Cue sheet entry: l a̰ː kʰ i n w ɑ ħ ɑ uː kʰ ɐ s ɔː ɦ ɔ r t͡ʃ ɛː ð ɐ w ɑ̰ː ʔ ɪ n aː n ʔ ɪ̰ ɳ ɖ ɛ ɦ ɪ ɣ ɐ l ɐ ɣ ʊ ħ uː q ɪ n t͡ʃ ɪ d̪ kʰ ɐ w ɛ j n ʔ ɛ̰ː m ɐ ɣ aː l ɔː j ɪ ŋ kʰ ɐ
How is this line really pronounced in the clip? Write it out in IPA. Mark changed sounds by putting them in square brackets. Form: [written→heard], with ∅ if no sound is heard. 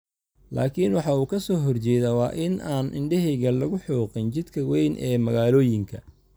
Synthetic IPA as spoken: l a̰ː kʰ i n w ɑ ħ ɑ uː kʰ ɐ s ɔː ɦ ɔ r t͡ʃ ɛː ð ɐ w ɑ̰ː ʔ ɪ n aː n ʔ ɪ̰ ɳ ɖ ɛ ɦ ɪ ɣ ɐ l ɐ ɣ ʊ ħ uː q ɪ n t͡ʃ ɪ d̪ kʰ ɐ w ɛ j n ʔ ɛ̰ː m ɐ ɣ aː l ɔː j ɪ ŋ kʰ ɐ